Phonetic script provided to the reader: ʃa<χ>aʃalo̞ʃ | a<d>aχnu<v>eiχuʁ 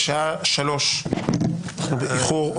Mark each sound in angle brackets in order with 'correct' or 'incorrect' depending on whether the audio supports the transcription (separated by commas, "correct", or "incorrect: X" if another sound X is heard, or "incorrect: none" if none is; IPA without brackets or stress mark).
incorrect: none, incorrect: n, incorrect: b